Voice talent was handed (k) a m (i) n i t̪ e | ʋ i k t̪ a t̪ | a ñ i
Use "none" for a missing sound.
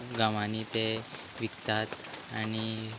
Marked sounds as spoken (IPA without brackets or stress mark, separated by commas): ɡ, a